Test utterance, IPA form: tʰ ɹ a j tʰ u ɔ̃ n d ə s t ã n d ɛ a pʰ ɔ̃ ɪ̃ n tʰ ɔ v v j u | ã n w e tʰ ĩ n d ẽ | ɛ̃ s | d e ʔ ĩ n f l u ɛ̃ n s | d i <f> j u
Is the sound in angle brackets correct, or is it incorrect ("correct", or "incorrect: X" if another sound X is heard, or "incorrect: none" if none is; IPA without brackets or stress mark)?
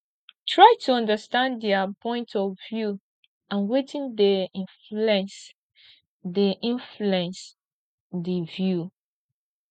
incorrect: v